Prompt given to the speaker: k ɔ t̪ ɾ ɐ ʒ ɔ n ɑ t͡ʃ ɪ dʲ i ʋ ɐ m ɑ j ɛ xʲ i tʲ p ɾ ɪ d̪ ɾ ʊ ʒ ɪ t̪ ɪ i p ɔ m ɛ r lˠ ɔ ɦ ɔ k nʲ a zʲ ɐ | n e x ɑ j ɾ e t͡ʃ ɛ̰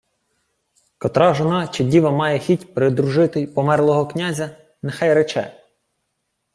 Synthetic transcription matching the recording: k ɔ t̪ ɾ ɑ ʒ ɔ n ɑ t͡ʃ ɪ dʲ i ʋ ɐ m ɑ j ɛ xʲ i tʲ p ɾ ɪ d̪ ɾ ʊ ʒ ɪ t̪ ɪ j p ɔ m ɛ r lˠ ɔ ɦ ɔ k nʲ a zʲ ɐ | n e x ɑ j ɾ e t͡ʃ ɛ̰